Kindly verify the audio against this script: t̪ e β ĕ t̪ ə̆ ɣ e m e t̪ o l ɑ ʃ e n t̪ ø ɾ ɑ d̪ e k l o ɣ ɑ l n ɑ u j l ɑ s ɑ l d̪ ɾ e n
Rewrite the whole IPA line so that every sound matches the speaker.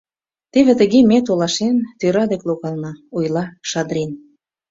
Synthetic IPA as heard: t̪ e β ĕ t̪ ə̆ ɣ e m e t̪ o l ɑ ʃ e n t̪ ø ɾ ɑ d̪ e k l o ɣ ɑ l n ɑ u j l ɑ ʃ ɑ d̪ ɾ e n

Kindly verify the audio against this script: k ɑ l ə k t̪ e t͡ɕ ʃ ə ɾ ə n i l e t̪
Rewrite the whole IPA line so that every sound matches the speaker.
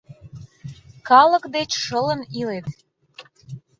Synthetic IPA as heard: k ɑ l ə k d̪ e t͡ɕ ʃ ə l ə n i l e t̪

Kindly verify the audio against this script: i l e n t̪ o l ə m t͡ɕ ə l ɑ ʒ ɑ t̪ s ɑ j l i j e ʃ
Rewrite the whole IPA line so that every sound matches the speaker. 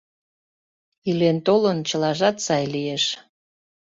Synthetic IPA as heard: i l e n t̪ o l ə n t͡ɕ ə l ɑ ʒ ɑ t̪ s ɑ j l i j e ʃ

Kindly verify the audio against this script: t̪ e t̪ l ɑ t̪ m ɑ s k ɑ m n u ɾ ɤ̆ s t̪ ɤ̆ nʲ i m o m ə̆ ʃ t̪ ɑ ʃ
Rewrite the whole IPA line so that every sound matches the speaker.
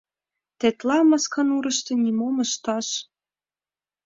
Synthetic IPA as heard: t̪ e t̪ l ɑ m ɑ s k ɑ n u ɾ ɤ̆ ʃ t̪ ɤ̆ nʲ i m o m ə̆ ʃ t̪ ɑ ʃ

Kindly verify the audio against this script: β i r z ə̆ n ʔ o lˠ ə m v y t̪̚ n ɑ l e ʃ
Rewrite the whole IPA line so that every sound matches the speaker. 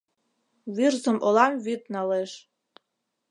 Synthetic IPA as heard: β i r z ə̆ m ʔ o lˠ ɑ m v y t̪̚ n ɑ l e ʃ

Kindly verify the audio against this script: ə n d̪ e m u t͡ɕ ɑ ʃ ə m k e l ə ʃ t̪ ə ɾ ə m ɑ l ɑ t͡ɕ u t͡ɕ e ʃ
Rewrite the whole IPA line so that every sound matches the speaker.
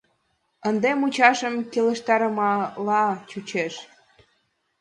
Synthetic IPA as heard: ə n d̪ e m u t͡ɕ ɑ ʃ ə m k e l ə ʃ t̪ ɑ ɾ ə m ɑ l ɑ t͡ɕ u t͡ɕ e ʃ

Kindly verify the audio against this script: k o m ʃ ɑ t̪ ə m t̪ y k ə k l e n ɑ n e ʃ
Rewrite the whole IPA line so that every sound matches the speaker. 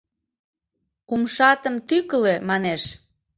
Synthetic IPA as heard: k u m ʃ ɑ t̪ ə m t̪ y k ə l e m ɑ n e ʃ

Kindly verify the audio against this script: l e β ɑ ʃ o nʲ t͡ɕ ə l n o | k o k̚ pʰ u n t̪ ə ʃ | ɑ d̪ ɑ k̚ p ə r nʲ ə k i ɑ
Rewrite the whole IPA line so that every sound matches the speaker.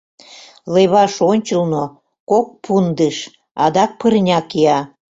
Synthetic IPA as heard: l e β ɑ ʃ o nʲ t͡ɕ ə l n o | k o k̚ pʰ u n d̪ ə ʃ | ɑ d̪ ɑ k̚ p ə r nʲ ɑ k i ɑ

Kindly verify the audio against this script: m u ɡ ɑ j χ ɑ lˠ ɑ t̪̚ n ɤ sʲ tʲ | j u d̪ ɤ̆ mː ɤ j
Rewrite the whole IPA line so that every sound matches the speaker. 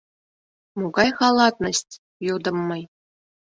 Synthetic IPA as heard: m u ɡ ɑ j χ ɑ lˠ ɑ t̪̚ n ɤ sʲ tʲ | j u d̪ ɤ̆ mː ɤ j

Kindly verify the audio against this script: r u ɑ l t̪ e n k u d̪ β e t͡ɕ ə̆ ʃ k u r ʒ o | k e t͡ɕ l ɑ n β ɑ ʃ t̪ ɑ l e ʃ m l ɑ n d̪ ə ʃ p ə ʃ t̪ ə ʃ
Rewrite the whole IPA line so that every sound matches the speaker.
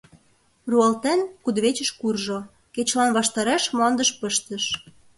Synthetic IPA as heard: r u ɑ l t̪ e n k u d̪ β e t͡ɕ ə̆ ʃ k u r ʒ o | k e t͡ɕ l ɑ n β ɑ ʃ t̪ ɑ ɾ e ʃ m l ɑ n d̪ ə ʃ p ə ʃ t̪ ə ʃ

